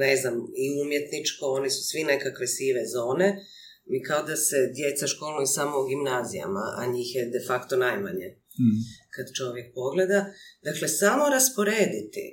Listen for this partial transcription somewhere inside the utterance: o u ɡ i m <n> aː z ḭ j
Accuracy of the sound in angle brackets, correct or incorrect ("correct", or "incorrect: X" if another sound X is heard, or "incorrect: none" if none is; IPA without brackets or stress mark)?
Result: correct